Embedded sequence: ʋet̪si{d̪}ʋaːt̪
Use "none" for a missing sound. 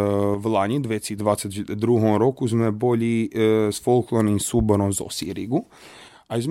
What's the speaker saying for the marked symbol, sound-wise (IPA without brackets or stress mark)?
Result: d̪